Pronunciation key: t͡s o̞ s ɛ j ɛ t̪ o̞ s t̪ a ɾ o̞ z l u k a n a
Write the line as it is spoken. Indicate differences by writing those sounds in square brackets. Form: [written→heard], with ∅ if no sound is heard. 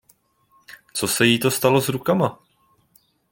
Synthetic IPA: t͡s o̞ s ɛ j [ɛ→i] t̪ o̞ s t̪ a [ɾ→l] o̞ z [l→ɾ] u k a [n→m] a